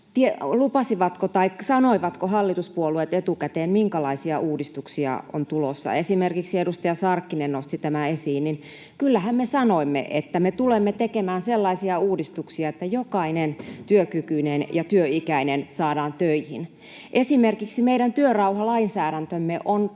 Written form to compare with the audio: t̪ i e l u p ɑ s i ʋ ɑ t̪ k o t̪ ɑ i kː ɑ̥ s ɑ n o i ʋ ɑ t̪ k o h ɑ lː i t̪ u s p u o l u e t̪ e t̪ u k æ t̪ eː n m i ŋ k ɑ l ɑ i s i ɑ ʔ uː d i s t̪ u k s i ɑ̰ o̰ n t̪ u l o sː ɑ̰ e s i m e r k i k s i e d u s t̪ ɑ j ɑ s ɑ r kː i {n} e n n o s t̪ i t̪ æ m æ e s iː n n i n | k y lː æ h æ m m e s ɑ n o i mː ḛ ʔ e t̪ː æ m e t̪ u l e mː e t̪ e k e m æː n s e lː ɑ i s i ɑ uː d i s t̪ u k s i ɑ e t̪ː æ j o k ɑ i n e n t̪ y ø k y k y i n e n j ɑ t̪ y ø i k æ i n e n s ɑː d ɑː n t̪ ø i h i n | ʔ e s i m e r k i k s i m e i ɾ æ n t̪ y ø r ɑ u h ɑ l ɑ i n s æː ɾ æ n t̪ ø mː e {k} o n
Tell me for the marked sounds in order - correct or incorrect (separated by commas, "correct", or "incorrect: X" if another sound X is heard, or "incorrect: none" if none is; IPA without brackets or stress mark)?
correct, incorrect: ʔ